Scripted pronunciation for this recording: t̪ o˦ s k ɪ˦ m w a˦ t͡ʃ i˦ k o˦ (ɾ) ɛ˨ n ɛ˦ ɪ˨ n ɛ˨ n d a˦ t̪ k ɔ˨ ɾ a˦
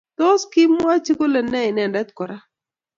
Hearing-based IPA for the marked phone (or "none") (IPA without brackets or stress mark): l